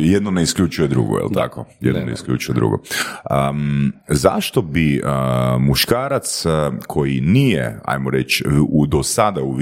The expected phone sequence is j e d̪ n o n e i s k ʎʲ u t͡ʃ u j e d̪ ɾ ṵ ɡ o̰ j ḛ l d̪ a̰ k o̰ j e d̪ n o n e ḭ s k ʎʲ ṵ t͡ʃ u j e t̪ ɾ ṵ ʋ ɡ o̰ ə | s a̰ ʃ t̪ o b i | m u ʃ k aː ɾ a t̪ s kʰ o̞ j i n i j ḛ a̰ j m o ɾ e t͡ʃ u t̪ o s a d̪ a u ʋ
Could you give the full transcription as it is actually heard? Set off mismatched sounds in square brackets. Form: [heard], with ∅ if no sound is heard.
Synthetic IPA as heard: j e d̪ n o n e i s k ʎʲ u t͡ʃ u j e d̪ ɾ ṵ ɡ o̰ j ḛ l [t̪] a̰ k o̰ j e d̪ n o n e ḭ s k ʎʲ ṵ t͡ʃ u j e [d̪] ɾ ṵ [∅] ɡ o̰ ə | [z] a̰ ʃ t̪ o b i | m u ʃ k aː ɾ a t̪ s kʰ o̞ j i n i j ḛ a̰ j m o ɾ e t͡ʃ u [d̪] o s a d̪ a u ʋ